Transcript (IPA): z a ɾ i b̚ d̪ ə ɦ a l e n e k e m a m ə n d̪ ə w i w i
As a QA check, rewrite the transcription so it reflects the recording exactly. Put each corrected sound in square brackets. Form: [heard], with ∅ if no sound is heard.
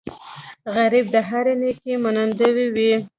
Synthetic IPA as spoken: [ɣ] a ɾ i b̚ d̪ ə ɦ a [ɾ] e n e k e m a [n] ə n d̪ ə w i w i